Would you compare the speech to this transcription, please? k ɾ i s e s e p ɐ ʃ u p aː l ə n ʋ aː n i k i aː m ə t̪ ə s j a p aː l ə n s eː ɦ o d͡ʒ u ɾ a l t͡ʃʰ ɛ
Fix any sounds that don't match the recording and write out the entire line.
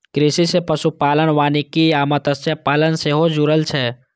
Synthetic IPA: k ɾ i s i s e p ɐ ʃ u p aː l ə n ʋ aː n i k i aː m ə t̪ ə s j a p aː l ə n s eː ɦ o d͡ʒ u ɾ ə l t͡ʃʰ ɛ

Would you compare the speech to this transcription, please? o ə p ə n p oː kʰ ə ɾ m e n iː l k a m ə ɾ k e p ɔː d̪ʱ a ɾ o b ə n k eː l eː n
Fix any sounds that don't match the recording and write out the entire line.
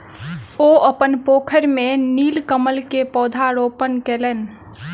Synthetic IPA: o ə p ə n p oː kʰ ə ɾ m e n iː l k ə m ə l k e p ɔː d̪ʱ a ɾ o p ə n k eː l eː n

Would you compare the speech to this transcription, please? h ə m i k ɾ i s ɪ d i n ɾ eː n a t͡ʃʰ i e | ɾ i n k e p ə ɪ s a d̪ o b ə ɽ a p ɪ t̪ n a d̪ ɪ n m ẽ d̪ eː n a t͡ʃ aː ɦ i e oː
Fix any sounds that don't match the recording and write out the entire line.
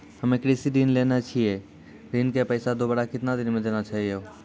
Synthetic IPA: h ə m e k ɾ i s i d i n l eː n a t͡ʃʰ i e | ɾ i n k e p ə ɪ s a d̪ o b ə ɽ a k ɪ t̪ n a d̪ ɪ n m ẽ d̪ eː n a t͡ʃ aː ɦ i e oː

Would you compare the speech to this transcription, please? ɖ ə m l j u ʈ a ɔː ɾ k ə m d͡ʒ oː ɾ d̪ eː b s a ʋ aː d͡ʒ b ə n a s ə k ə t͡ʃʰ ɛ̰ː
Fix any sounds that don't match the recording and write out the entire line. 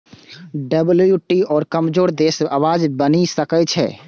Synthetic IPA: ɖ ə b l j u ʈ i ɔː ɾ k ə m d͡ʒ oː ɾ d̪ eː s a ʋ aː d͡ʒ b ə n i s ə k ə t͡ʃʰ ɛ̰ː

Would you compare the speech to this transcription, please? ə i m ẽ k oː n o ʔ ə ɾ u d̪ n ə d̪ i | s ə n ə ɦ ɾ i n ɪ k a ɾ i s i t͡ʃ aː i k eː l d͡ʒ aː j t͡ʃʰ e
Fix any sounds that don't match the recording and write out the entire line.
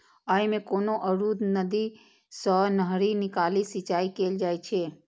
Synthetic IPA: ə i m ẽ k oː n o ʔ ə ɾ u d̪ n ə d̪ i | s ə n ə ɦ ɾ i n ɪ k a l i s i t͡ʃ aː i k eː l d͡ʒ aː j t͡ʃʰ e

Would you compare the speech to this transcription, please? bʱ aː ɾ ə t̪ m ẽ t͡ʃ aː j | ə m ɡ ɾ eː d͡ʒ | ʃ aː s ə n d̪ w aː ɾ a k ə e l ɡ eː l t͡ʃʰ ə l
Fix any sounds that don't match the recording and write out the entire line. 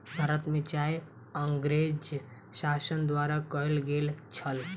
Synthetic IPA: bʱ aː ɾ ə t̪ m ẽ t͡ʃ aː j | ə ŋ ɡ ɾ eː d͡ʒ | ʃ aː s ə n d̪ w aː ɾ a k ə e l ɡ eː l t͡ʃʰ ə l

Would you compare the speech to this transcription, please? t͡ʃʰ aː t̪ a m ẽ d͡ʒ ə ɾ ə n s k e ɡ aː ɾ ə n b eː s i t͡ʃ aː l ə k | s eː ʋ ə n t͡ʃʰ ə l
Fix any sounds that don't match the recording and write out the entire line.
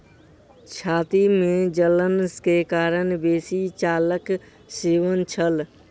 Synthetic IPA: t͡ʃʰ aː t̪ i m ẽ d͡ʒ ə l ə n s k e k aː ɾ ə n b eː s i t͡ʃ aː l ə k | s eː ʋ ə n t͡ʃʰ ə l

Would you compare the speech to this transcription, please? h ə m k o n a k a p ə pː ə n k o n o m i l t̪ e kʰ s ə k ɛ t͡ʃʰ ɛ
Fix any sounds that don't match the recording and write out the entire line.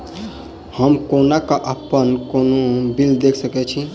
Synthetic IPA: h ə m k o n a k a ʔ ə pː ə n k o n o b i l d̪ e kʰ s ə k ɛ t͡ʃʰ i

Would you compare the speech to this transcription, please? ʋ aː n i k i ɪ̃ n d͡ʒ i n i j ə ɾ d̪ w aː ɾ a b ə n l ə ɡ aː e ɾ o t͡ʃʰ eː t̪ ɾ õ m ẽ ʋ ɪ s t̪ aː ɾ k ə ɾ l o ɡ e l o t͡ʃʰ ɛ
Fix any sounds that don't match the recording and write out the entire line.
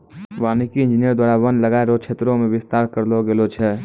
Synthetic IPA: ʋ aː n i k i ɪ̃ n d͡ʒ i n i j ə ɾ d̪ w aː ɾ a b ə n l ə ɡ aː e ɾ o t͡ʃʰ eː t̪ ɾ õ m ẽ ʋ ɪ s t̪ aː ɾ k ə ɾ l o ɡ e l o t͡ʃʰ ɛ

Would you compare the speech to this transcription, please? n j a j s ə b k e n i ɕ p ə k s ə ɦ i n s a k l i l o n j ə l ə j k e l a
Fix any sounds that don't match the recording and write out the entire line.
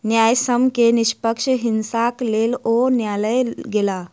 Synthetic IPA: n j a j s ə m k e n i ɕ p ə k ʂ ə ɦ i n s a k l e l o n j a l ə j ɡ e l a

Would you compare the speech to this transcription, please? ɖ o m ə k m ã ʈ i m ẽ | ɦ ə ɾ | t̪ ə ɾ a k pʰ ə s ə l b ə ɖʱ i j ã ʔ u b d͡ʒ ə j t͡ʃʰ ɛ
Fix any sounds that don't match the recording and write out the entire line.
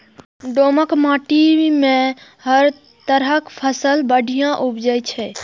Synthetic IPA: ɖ o m ə k m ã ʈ i m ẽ | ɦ ə ɾ | t̪ ə ɾ ə k pʰ ə s ə l b ə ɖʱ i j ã ʔ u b d͡ʒ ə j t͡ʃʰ ɛ

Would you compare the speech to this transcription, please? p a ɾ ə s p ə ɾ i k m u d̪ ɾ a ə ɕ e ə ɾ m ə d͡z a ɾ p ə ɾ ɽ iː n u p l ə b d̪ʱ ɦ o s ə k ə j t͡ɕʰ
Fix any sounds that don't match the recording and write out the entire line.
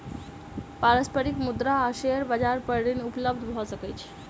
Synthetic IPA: p a ɾ ə s p ə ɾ i k m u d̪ ɾ a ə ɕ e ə ɾ b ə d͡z a ɾ p ə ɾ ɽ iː n u p l ə b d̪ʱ ɦ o s ə k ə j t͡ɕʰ

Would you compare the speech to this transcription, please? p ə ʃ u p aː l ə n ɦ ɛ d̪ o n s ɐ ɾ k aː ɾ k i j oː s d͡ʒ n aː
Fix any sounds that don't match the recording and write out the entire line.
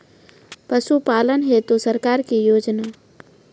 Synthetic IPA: p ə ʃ u p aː l ə n ɦ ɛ t̪ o s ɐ ɾ k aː ɾ k i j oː d͡ʒ n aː

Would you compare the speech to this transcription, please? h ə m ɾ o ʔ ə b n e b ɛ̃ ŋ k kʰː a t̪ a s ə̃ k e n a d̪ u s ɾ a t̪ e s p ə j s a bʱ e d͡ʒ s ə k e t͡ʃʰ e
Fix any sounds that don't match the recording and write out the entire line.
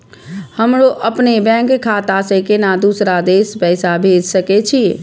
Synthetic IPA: h ə m ɾ o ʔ ə p n e b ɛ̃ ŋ k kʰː a t̪ a s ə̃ k e n a d̪ u s ɾ a d̪ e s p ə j s a bʱ e d͡ʒ s ə k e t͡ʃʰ i

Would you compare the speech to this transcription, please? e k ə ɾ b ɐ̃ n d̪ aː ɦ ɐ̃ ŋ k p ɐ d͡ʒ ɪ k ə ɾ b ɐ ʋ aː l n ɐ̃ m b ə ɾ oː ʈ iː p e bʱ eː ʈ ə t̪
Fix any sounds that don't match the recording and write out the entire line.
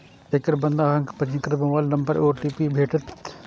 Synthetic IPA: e k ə ɾ b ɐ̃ n d̪ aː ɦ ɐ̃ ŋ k p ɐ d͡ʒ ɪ k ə ɾ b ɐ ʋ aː l n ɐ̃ m b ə ɾ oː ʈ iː p i bʱ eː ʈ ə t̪

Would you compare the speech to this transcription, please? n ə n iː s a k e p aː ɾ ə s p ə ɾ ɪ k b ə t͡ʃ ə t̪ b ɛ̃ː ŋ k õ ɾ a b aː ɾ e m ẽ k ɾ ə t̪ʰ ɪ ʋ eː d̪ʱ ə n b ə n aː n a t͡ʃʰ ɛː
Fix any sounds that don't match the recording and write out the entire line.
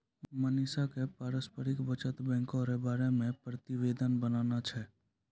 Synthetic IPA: m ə n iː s a k e p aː ɾ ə s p ə ɾ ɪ k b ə t͡ʃ ə t̪ b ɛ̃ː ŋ k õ ɾ e b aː ɾ e m ẽ p ɾ ə t̪ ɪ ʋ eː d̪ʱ ə n b ə n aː n a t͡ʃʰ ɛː

